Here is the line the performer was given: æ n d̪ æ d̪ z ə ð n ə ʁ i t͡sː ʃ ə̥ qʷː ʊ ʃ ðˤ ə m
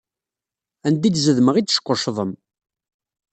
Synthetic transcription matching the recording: æ n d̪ i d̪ z ə ð m ə ʁ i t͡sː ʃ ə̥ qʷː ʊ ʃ ðˤ ə m